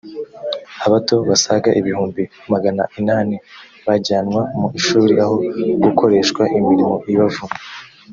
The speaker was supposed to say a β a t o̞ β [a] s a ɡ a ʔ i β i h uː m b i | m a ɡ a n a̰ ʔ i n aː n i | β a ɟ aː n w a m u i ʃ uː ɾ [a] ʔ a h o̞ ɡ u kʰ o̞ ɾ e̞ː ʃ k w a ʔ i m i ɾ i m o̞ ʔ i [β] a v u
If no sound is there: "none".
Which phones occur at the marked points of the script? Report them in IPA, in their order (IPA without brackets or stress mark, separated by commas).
a, i, β